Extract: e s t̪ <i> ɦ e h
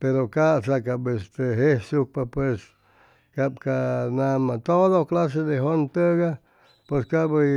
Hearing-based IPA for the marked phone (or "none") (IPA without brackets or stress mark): e